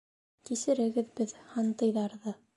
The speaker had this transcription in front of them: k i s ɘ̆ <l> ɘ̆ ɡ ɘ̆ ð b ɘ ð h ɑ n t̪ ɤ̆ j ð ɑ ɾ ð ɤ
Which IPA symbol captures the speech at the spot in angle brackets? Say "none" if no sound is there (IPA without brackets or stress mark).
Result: ɾ